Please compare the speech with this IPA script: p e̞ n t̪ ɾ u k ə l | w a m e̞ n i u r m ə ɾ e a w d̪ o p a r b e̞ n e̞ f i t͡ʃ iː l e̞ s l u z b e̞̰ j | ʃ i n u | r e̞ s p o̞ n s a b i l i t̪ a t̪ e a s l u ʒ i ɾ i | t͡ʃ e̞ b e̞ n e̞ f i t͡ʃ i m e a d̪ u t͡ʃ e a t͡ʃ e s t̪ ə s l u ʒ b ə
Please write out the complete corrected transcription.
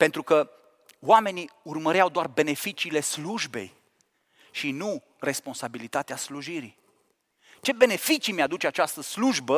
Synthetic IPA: p e̞ n t̪ ɾ u k ə | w a m e̞ n i u r m ə ɾ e a w d̪ o a r b e̞ n e̞ f i t͡ʃ iː l e̞ s l u ʒ b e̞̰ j | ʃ i n u | r e̞ s p o̞ n s a b i l i t̪ a t̪ e a s l u ʒ i ɾ i | t͡ʃ e̞ b e̞ n e̞ f i t͡ʃ i m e a d̪ u t͡ʃ e a t͡ʃ a s t̪ ə s l u ʒ b ə